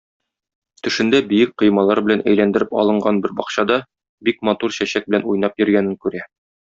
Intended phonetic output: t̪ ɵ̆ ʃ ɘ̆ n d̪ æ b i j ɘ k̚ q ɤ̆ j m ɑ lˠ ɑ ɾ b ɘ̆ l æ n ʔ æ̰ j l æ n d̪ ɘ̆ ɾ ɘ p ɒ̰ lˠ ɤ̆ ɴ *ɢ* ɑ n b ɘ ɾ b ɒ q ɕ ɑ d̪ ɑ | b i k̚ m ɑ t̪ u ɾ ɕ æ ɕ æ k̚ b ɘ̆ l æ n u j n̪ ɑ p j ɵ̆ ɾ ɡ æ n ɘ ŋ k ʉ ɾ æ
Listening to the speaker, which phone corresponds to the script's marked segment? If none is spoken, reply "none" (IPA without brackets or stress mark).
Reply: ɢ